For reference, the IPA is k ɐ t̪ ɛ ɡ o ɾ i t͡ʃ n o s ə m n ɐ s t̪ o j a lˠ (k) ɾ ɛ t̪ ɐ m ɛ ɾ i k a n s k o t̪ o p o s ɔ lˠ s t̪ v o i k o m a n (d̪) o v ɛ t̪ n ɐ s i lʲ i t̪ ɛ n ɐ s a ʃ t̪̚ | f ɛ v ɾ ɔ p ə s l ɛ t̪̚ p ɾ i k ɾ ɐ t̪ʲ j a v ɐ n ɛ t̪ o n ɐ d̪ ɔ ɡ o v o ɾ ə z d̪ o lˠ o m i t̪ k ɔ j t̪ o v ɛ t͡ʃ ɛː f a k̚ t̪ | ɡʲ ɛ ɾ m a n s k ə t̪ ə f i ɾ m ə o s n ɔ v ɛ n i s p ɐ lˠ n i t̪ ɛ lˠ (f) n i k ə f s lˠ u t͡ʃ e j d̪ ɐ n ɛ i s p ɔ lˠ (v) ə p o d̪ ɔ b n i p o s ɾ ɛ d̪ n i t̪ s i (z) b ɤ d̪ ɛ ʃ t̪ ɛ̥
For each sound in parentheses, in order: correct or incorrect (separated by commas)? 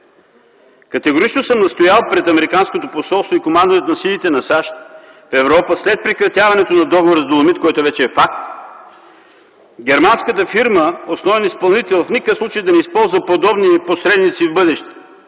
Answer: incorrect, correct, correct, incorrect, incorrect